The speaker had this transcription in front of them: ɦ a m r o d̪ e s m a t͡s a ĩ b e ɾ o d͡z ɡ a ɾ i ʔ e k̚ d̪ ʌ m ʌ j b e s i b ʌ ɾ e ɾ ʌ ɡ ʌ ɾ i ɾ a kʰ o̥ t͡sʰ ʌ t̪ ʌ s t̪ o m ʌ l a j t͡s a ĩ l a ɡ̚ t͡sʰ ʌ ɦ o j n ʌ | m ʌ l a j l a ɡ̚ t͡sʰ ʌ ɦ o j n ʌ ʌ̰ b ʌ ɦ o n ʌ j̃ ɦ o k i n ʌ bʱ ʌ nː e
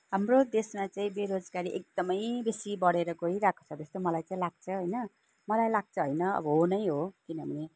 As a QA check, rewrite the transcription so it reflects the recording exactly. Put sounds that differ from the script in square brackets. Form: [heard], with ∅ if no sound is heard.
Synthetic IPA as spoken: ɦ a m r o d̪ e s m a t͡s a ĩ b e ɾ o d͡z ɡ a ɾ i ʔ e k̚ d̪ ʌ m ʌ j b e s i b ʌ [ɽ] e ɾ ʌ ɡ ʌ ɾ i ɾ a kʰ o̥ t͡sʰ ʌ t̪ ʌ s t̪ o m ʌ l a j t͡s a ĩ l a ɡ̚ t͡sʰ ʌ ɦ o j n ʌ | m ʌ l a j l a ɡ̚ t͡sʰ ʌ ɦ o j n ʌ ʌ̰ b ʌ ɦ o n ʌ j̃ ɦ o k i n ʌ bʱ ʌ [n] e

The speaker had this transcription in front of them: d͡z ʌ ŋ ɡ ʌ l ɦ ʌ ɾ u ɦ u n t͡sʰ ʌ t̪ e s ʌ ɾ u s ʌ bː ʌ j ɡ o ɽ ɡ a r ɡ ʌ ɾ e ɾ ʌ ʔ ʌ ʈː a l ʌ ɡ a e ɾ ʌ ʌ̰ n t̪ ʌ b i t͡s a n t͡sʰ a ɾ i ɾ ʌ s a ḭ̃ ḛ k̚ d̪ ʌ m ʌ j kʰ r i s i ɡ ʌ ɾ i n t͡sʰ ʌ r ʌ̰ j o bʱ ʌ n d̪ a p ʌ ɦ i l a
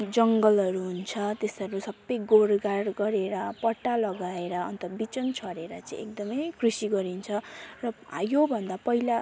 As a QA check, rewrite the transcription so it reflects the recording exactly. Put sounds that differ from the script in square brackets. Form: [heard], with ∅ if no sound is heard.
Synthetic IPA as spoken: d͡z ʌ ŋ ɡ ʌ l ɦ ʌ ɾ u ɦ u n t͡sʰ ʌ t̪ e s ʌ ɾ u s ʌ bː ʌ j ɡ o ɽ ɡ a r ɡ ʌ ɾ e ɾ ʌ [p] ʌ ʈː a l ʌ ɡ a e ɾ ʌ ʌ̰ n t̪ ʌ b i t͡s [ʌ] n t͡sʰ [ʌ] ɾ [e] ɾ ʌ [t͡s] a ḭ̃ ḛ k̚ d̪ ʌ m ʌ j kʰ r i s i ɡ ʌ ɾ i n t͡sʰ ʌ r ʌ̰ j o bʱ ʌ n d̪ a p ʌ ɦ i l a

